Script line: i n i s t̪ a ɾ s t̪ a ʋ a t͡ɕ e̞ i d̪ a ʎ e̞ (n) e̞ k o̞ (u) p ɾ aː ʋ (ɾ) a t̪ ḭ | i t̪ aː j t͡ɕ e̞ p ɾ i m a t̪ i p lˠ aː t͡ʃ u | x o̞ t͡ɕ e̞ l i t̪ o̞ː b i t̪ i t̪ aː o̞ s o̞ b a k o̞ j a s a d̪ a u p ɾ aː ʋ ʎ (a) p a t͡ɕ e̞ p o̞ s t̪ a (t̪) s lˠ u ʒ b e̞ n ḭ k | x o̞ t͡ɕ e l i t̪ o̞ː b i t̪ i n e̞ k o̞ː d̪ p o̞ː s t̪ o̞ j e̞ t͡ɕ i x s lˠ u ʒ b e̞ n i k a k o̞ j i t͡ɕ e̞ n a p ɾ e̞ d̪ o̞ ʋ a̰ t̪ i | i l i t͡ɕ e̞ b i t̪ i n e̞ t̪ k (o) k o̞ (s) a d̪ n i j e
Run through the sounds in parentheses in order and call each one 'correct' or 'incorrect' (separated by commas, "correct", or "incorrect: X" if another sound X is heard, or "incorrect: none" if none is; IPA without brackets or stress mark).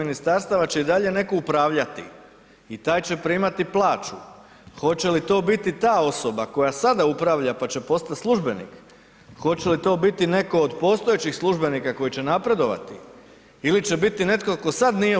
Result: correct, correct, incorrect: ʎ, correct, correct, correct, correct